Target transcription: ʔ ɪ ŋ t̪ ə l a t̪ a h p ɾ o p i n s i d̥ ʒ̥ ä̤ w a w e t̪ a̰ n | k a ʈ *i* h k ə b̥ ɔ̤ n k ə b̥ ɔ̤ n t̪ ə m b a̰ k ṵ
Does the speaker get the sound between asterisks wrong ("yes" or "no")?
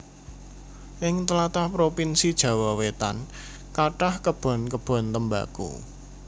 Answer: yes